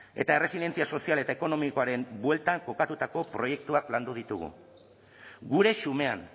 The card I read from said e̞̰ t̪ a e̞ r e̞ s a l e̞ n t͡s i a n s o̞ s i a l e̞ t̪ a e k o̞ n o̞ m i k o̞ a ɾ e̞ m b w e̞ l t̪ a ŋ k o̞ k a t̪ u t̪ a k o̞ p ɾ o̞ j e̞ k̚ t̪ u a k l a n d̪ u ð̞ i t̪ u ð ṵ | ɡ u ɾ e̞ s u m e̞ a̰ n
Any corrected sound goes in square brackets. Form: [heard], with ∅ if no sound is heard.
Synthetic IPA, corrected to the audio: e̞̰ t̪ a e̞ r e̞ s [i] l e̞ n t͡s i a [∅] s o̞ s i a l e̞ t̪ a e k o̞ n o̞ m i k o̞ a ɾ e̞ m b w e̞ l t̪ a ŋ k o̞ k a t̪ u t̪ a k o̞ p ɾ o̞ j e̞ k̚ t̪ u a k l a n d̪ u ð̞ i t̪ u [ɣ] ṵ | ɡ u ɾ e̞ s u m e̞ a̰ n

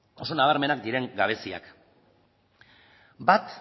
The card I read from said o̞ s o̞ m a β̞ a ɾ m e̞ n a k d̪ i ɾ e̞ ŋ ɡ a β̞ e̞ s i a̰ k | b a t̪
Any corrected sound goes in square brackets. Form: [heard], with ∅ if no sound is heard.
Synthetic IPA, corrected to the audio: o̞ s o̞ [n] a β̞ a ɾ m e̞ n a k d̪ i ɾ e̞ ŋ ɡ a β̞ e̞ s i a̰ k | b a t̪

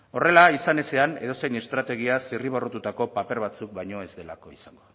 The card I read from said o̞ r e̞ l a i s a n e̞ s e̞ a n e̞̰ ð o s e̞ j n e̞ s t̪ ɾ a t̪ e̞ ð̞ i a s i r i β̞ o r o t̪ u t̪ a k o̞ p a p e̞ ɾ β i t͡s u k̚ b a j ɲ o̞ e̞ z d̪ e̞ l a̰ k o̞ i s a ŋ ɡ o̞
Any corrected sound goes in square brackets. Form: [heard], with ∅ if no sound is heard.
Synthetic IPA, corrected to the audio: o̞ r e̞ l a i s a n e̞ s e̞ a n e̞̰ ð o s e̞ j n e̞ s t̪ ɾ a t̪ e̞ [ɣ̞] i a s i r i β̞ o r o t̪ u t̪ a k o̞ p a p e̞ ɾ β [a] t͡s u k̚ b a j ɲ o̞ e̞ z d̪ e̞ l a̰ k o̞ i s a ŋ ɡ o̞

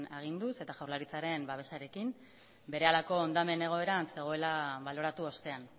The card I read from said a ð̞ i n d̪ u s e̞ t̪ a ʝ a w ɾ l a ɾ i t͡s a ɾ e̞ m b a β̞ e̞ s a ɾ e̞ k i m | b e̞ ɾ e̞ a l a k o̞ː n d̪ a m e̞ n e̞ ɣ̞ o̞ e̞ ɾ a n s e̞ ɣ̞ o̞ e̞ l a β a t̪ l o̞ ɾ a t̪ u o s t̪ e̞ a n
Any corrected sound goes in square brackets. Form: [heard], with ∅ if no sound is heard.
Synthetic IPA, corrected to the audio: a [ɣ̞] i n d̪ u s e̞ t̪ a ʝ a w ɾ l a ɾ i t͡s a ɾ e̞ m b a β̞ e̞ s a ɾ e̞ k i m | b e̞ ɾ e̞ a l a k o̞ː n d̪ a m e̞ n e̞ ɣ̞ o̞ e̞ ɾ a n s e̞ ɣ̞ o̞ e̞ l a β a [∅] l o̞ ɾ a t̪ u o s t̪ e̞ a n

